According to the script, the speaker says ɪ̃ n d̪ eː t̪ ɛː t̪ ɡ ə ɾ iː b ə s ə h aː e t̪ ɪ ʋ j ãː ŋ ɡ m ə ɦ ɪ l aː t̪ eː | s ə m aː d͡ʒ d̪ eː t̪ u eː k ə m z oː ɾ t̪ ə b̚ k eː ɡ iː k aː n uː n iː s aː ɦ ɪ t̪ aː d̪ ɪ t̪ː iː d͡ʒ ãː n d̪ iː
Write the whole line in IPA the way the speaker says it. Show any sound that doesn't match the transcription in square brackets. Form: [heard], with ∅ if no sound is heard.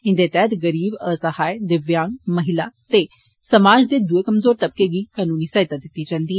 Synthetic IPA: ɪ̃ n d̪ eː t̪ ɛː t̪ ɡ ə ɾ iː b ə s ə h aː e [d̪] ɪ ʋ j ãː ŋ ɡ m ə ɦ ɪ l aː t̪ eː | s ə m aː d͡ʒ d̪ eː [d̪] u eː k ə m z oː ɾ t̪ ə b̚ k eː ɡ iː k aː n uː n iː s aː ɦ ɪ t̪ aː d̪ ɪ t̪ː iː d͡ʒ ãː n d̪ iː